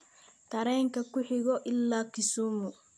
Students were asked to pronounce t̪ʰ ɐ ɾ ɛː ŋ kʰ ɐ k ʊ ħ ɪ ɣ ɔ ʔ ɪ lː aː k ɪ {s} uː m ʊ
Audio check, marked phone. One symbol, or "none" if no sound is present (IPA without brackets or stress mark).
s